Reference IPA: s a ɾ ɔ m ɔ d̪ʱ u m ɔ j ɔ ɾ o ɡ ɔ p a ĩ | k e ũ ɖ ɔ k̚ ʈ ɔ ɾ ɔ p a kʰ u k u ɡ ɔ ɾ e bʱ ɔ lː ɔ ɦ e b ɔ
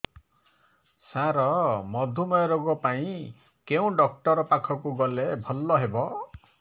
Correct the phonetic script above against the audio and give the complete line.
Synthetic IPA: s a ɾ ɔ m ɔ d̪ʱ u m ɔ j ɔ ɾ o ɡ ɔ p a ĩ | k e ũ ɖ ɔ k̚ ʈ ɔ ɾ ɔ p a kʰ ɔ k u ɡ ɔ l e bʱ ɔ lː ɔ ɦ e b ɔ